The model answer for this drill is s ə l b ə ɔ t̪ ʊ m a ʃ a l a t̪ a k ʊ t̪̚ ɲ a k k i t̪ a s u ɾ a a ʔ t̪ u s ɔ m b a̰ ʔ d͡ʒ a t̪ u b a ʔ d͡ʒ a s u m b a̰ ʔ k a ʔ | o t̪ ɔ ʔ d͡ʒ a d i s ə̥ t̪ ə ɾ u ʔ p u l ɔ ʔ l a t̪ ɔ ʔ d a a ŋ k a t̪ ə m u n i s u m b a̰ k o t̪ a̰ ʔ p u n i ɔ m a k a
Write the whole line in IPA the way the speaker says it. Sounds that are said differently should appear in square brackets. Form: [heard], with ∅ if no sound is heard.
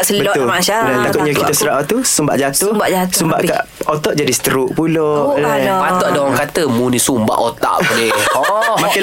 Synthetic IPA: s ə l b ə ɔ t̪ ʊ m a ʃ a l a t̪ a k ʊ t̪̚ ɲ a k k i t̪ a s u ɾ a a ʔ t̪ u s [u] m b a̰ ʔ d͡ʒ a t̪ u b a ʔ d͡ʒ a s u m b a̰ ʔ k a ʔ | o t̪ ɔ ʔ d͡ʒ a d i s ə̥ t̪ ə ɾ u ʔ p u l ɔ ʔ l a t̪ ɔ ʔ d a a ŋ k a t̪ ə m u n i s u m b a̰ [ʔ] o t̪ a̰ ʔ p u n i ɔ m a k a